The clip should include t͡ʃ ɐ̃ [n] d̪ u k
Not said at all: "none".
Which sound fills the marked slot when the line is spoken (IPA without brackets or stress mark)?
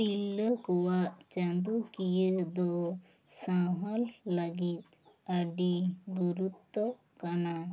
n